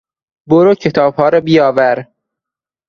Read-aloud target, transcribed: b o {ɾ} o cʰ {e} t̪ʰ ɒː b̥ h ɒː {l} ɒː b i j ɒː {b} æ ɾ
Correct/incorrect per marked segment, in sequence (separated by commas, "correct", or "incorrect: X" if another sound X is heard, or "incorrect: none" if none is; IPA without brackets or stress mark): correct, correct, incorrect: ɾ, incorrect: v